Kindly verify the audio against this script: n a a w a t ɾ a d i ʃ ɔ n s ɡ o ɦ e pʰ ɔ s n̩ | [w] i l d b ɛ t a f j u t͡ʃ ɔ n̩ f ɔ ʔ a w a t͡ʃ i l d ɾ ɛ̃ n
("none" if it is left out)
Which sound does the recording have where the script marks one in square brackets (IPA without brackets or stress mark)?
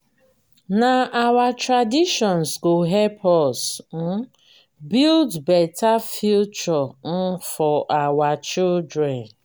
b